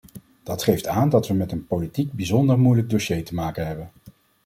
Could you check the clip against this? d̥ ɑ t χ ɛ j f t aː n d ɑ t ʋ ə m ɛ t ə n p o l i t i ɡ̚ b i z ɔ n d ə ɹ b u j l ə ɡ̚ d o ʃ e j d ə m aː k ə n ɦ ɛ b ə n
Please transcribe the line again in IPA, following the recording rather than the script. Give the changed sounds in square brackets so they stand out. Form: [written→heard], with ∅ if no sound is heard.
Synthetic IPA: d̥ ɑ t χ [ɛ→e] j f t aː n d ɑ t ʋ ə m ɛ t ə n p o l i t i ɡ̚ b i z ɔ n d ə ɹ [b→m] u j l ə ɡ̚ d o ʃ e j [d→t] ə m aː k ə n ɦ ɛ b ə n